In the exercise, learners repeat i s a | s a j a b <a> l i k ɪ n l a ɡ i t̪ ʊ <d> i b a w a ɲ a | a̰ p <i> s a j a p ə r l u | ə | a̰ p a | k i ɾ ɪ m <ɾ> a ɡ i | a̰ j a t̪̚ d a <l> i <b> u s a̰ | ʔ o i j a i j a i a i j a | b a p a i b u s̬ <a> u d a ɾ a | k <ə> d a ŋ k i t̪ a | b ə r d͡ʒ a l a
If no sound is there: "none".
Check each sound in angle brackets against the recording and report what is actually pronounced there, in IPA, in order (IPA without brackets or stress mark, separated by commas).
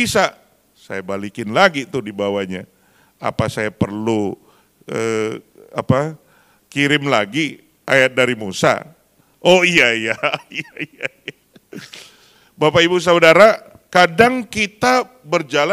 a, d, a, l, ɾ, m, a, a